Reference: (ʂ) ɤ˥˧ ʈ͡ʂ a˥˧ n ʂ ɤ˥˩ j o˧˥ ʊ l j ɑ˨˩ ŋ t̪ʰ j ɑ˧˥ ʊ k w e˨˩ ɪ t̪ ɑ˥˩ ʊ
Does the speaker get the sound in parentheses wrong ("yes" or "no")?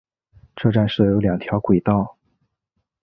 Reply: yes